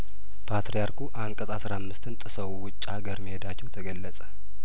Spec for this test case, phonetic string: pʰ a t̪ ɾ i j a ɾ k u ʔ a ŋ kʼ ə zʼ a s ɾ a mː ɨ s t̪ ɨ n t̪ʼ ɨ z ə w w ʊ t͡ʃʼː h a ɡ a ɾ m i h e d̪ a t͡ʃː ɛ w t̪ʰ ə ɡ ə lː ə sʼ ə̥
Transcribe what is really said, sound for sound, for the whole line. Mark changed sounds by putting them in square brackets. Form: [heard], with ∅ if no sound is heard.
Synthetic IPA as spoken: pʰ a t̪ ɾ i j a ɾ k u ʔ a ŋ kʼ ə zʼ a s ɾ a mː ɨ s t̪ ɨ n t̪ʼ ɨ [s] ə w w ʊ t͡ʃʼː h a ɡ [ə] ɾ m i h e d̪ a t͡ʃː ɛ w t̪ʰ ə ɡ ə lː ə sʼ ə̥